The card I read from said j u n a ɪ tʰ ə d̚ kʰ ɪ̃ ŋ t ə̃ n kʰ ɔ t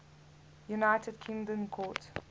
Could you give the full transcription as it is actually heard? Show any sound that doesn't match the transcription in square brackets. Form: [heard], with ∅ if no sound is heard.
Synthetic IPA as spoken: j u n a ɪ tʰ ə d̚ kʰ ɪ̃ ŋ [d] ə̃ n kʰ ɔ t